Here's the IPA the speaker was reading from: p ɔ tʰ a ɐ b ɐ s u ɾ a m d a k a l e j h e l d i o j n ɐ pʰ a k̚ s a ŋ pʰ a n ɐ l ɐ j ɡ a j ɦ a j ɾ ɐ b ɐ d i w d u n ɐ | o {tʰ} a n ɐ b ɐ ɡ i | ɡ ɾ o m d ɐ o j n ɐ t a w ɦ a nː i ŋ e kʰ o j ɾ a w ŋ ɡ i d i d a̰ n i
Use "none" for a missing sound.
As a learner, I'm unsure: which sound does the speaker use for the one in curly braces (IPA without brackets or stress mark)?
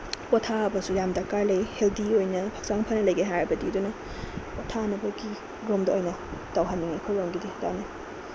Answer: tʰ